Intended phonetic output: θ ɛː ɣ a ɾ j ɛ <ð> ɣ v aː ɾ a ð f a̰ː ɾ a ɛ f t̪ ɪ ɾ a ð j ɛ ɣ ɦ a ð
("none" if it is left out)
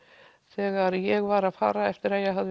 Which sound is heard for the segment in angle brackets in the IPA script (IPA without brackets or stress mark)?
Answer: none